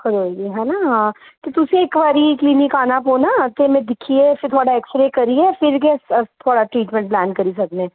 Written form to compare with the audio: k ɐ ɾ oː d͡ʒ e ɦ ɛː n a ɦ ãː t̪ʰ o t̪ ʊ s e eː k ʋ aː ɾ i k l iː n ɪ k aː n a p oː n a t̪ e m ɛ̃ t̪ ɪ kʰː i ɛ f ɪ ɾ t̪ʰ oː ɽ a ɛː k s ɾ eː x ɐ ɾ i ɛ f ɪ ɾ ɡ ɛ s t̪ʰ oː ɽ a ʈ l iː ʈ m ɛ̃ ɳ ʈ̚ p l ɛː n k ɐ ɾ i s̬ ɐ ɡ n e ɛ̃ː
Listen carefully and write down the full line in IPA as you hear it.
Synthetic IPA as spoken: k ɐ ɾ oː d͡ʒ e ɦ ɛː n a ɦ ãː t̪ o t̪ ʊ s e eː k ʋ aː ɾ i k l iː n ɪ k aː n a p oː n a t̪ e m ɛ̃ d̪ ɪ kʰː i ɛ f ɪ ɾ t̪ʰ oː ɽ a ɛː k s ɾ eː k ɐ ɾ i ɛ f ɪ ɾ ɡ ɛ s t̪ʰ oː ɽ a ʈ ɾ iː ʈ m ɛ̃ ɳ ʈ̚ p l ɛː n k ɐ ɾ i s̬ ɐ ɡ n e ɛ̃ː